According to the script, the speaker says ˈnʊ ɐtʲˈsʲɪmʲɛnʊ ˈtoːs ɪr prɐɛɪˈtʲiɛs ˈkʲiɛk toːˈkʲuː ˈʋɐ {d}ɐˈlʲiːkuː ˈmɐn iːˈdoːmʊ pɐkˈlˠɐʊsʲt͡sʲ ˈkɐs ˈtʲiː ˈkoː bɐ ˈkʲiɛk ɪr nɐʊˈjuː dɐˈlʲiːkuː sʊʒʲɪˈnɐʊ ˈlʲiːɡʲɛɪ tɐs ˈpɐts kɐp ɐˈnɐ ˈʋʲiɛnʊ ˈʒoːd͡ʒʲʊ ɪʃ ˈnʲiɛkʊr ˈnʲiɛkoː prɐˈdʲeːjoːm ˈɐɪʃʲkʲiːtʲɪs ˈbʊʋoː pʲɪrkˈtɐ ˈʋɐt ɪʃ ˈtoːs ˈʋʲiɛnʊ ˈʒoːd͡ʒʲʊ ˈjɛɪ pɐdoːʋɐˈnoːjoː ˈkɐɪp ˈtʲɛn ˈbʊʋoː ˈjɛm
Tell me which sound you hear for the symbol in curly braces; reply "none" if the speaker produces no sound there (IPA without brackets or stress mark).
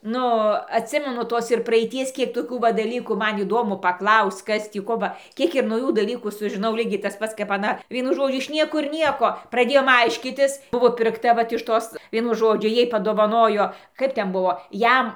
d